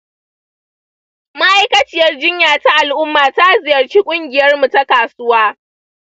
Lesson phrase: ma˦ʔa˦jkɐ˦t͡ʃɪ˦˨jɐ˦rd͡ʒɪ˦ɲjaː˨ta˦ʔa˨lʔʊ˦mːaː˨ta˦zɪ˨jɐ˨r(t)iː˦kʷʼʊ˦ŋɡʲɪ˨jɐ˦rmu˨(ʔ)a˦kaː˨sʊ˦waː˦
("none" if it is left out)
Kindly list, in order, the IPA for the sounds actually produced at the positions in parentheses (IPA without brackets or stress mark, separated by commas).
t͡ʃ, t